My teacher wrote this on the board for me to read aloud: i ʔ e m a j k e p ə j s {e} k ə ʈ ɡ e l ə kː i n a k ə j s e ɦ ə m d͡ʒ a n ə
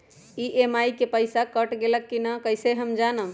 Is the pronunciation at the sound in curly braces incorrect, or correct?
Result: incorrect